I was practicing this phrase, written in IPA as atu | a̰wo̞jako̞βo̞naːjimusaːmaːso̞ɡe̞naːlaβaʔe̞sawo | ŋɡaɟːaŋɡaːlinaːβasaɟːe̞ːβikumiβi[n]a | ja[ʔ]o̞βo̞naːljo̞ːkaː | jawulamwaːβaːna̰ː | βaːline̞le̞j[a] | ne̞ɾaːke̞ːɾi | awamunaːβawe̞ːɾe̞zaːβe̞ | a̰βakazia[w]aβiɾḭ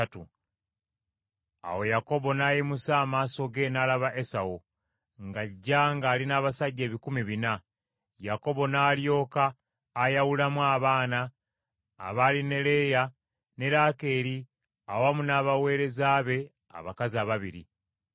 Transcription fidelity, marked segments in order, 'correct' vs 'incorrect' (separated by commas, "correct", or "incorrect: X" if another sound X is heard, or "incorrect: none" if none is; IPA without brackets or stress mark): correct, incorrect: k, correct, incorrect: β